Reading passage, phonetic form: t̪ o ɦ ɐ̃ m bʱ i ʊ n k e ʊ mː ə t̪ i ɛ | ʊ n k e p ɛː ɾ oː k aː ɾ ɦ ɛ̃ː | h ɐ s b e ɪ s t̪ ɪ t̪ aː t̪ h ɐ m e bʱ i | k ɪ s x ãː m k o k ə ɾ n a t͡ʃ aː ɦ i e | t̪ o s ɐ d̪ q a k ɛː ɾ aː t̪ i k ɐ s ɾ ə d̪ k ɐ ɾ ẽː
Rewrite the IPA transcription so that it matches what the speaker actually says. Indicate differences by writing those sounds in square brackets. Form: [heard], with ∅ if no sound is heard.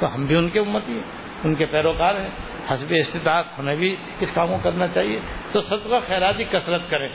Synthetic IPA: t̪ o ɦ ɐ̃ m bʱ i ʊ n k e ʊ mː ə t̪ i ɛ | ʊ n k e p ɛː ɾ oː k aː ɾ ɦ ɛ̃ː | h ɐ s b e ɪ s t̪ ɪ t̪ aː t̪ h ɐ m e bʱ i | k ɪ s [k] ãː m k o k [ɐ] ɾ n a t͡ʃ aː ɦ i e | t̪ o s ɐ d̪ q a [x] ɛː ɾ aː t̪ i k ɐ s ɾ ə [t̪] k ɐ ɾ ẽː